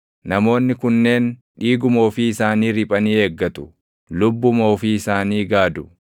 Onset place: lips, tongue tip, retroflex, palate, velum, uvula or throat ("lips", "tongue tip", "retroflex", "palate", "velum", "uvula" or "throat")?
tongue tip